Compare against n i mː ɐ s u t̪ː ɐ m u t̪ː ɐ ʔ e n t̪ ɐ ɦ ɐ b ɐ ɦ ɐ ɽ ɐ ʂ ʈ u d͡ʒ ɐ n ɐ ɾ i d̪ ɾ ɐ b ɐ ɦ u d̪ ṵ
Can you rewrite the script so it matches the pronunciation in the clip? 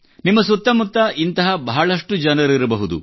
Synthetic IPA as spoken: n i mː ɐ s u t̪ː ɐ m u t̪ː ɐ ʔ i n t̪ ɐ ɦ ɐ b ɐ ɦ ɐ ɭ ɐ ʂ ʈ u d͡ʒ ɐ n ɐ ɾ i ɾ ɐ b ɐ ɦ u d̪ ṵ

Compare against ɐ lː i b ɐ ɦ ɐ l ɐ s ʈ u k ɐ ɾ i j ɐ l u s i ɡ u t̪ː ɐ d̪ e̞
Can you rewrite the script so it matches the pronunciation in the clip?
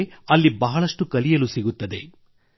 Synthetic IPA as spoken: ɐ lː i b ɐ ɦ ɐ ɭ ɐ ʂ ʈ u k ɐ l i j ɐ l u s i ɡ u t̪ː ɐ d̪ e̞

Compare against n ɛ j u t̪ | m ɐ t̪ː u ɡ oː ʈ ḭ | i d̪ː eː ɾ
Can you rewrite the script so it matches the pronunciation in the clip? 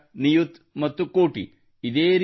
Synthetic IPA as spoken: n i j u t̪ | m ɐ t̪ː u k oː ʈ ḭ | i d̪ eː ɾ

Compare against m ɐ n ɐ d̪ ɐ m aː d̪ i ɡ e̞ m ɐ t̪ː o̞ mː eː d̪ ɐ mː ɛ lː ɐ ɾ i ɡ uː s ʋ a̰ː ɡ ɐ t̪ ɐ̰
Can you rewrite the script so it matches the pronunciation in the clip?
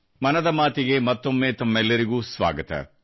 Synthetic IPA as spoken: m ɐ n ɐ d̪ ɐ m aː t̪ i ɡ e̞ m ɐ t̪ː o̞ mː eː t̪ ɐ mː ɛ lː ɐ ɾ i ɡ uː s ʋ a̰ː ɡ ɐ t̪ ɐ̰

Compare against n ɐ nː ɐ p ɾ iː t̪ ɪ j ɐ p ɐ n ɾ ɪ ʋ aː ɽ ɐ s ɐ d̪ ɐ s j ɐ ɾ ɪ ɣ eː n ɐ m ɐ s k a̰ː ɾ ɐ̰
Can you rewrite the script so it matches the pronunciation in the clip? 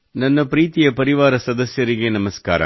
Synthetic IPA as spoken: n ɐ nː ɐ p ɾ iː t̪ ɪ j ɐ p ɐ ɾ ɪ ʋ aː ɾ ɐ s ɐ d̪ ɐ s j ɐ ɾ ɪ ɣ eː n ɐ m ɐ s k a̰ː ɾ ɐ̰

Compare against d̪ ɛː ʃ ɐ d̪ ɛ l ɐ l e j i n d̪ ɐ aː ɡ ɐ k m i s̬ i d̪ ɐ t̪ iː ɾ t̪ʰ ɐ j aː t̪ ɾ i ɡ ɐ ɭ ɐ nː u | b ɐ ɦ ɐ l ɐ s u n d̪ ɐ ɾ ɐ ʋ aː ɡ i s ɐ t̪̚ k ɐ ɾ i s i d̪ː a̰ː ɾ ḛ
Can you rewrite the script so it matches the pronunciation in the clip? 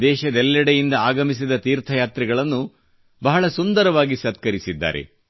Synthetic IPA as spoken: d̪ ɛː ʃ ɐ d̪ ɛ lː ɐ ɽ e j i n d̪ ɐ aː ɡ ɐ m i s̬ i d̪ ɐ t̪ iː ɾ t̪ʰ ɐ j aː t̪ ɾ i ɡ ɐ ɭ ɐ nː u | b ɐ ɦ ɐ ɭ ɐ s u n d̪ ɐ ɾ ɐ ʋ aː ɡ i s ɐ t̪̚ k ɐ ɾ i s i d̪ː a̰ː ɾ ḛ

